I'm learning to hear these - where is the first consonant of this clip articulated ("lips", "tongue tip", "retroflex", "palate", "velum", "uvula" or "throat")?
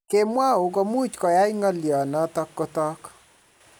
velum